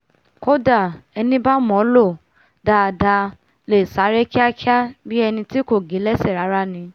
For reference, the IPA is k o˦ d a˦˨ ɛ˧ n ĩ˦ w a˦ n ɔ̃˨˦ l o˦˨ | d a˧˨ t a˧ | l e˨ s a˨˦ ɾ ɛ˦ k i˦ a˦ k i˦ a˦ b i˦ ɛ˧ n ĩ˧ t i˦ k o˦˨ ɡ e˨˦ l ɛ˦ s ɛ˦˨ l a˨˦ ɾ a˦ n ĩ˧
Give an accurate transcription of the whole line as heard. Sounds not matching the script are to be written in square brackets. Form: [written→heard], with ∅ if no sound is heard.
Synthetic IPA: k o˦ d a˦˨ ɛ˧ n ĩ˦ [w→b] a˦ [n→m] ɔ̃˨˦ l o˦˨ | d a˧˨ [t→d] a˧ | l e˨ s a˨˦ ɾ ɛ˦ k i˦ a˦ k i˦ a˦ b i˦ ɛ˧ n ĩ˧ t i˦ k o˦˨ ɡ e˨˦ l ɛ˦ s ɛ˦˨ [l→ɾ] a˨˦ ɾ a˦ n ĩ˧